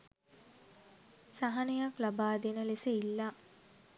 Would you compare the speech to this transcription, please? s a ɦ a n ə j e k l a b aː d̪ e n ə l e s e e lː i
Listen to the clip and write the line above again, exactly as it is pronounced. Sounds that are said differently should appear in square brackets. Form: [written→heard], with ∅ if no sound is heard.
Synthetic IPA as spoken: s a ɦ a n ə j [e→a] k l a b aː d̪ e n ə l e s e [e→i] lː [i→a]